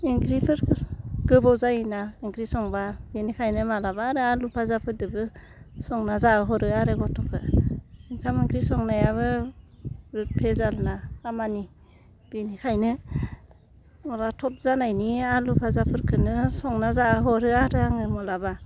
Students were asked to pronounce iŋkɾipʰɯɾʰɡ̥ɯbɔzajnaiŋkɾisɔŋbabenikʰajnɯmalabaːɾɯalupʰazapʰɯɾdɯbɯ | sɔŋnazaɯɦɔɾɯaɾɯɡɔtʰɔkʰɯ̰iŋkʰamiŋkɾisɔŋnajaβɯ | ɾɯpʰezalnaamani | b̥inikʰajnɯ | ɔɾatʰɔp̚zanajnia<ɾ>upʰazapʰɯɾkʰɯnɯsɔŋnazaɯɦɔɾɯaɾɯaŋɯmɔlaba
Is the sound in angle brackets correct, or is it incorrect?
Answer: incorrect